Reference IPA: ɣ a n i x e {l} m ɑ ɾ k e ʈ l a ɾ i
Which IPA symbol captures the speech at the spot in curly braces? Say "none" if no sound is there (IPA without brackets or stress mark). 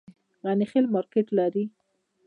l